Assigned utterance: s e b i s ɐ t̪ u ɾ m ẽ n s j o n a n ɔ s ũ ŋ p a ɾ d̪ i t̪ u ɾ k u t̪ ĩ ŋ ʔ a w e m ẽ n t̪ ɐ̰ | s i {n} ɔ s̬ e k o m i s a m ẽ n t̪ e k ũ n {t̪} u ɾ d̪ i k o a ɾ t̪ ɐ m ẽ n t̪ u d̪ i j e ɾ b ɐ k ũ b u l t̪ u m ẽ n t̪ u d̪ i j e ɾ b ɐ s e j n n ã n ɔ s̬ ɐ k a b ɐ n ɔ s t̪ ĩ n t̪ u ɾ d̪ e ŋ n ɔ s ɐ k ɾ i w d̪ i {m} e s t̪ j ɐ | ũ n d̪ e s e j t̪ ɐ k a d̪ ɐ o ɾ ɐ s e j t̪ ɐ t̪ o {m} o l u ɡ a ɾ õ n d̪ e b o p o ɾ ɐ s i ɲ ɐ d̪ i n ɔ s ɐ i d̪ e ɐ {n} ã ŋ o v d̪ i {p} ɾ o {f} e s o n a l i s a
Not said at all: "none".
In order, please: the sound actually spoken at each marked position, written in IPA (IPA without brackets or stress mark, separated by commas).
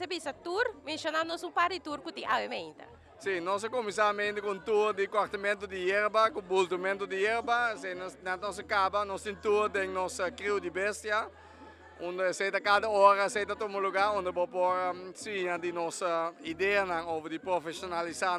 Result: n, t̪, b, m, n, p, f